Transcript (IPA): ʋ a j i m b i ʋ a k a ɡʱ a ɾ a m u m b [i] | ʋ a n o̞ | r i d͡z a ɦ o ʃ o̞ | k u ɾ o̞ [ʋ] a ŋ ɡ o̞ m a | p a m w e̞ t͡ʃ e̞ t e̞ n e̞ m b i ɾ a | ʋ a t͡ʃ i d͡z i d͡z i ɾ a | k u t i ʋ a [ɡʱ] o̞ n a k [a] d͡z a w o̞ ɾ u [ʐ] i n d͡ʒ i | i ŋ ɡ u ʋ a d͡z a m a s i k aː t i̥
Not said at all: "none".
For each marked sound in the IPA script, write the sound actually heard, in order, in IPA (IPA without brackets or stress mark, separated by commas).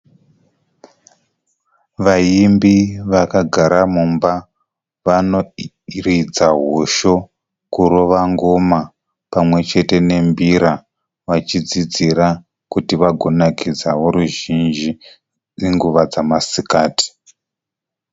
a, ʋ, ɡʱ, i, ʒ